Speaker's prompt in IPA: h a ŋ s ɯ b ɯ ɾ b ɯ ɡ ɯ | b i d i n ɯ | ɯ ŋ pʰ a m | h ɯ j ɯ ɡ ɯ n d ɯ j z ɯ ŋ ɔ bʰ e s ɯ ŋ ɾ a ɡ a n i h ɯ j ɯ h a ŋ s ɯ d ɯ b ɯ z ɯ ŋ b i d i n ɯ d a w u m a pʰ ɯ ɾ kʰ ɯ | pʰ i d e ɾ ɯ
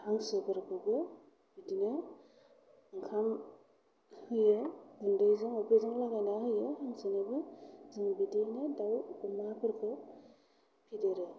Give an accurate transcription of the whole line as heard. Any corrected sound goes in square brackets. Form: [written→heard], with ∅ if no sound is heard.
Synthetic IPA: h a ŋ s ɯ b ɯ ɾ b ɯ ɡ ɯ | b i d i n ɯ | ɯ ŋ [pʰ→kʰ] a m | h ɯ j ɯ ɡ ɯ n d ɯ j z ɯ ŋ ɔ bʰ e [s→z] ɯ ŋ [ɾ→l] a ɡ a n [i→a] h ɯ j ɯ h a ŋ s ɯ [d→n] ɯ b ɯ z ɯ ŋ b i d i n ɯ d a w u m a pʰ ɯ ɾ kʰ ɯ | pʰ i d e ɾ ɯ